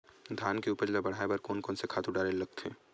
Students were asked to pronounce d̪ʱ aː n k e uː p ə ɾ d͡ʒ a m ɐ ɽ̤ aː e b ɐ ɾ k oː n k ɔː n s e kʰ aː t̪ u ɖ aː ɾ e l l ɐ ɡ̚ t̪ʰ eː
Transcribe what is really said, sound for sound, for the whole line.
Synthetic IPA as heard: d̪ʱ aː n k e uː p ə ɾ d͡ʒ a b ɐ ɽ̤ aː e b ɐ ɾ k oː n k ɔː n s e kʰ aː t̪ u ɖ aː ɾ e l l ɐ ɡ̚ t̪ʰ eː